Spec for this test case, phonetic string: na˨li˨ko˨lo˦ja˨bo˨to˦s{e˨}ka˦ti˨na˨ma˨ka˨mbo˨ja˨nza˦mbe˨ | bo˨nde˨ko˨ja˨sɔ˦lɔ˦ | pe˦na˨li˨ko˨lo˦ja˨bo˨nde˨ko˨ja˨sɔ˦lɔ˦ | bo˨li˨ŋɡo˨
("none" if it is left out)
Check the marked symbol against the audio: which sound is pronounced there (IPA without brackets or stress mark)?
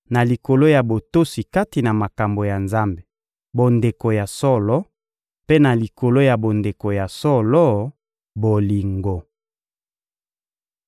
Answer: i˨